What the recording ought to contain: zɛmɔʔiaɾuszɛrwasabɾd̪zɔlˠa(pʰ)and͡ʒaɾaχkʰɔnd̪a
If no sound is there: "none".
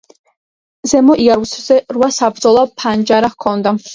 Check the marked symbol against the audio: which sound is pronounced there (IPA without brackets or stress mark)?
pʰ